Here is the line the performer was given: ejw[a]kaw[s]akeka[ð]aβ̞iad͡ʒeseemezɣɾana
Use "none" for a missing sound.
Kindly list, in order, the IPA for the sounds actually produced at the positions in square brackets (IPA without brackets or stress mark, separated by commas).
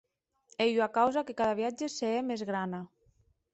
a, z, ð